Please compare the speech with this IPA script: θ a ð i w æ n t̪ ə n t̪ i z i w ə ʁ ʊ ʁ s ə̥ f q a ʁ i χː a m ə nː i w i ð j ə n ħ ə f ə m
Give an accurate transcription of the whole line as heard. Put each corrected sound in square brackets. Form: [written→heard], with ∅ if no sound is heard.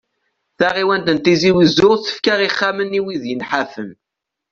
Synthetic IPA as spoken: θ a [ð→ʁ] i w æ n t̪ ə n t̪ i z i w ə [ʁ→z] ʊ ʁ [s→θ] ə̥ f [q→k] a ʁ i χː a m ə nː i w i ð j ə n ħ [ə→a] f ə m